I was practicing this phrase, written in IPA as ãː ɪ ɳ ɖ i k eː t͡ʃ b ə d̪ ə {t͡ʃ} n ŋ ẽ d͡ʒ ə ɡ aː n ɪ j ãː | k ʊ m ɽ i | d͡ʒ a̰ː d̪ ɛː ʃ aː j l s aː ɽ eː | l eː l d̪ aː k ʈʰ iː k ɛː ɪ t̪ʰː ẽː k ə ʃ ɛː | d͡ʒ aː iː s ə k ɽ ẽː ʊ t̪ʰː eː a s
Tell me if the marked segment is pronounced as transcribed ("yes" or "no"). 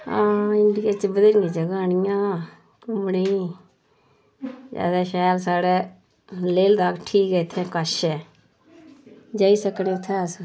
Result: no